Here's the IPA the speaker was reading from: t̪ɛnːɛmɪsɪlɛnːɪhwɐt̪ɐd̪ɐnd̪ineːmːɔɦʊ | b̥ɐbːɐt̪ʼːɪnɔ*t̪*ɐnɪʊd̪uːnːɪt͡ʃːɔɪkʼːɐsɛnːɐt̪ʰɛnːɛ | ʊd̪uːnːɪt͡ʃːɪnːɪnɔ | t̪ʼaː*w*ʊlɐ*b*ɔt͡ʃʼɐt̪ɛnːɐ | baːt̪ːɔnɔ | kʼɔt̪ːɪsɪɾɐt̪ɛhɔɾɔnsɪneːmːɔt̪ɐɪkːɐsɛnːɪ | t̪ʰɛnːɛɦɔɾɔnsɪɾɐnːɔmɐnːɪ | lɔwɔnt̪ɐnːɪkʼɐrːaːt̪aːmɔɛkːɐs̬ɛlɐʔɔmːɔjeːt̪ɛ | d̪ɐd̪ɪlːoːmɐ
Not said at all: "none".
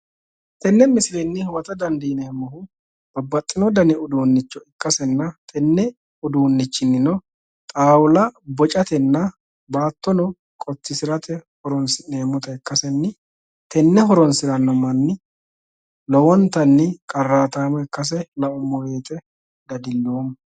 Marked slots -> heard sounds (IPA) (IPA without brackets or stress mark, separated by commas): d̪, w, b